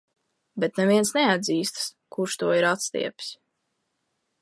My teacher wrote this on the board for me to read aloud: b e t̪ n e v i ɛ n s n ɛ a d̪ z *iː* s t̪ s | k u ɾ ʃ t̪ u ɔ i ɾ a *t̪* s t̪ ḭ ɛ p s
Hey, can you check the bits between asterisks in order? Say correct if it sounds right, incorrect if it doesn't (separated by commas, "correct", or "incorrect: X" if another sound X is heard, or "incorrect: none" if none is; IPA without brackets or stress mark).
correct, correct